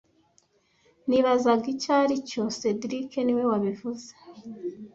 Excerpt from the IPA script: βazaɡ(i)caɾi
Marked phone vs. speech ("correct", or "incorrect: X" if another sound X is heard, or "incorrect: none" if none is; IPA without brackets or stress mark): correct